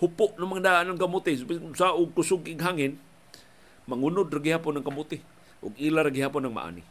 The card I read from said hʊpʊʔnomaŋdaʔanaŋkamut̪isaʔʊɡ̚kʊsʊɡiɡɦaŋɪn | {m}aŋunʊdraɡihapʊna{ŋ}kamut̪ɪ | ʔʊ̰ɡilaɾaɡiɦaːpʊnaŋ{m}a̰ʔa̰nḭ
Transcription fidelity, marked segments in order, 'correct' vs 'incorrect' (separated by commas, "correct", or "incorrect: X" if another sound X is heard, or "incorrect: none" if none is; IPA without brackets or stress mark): correct, correct, correct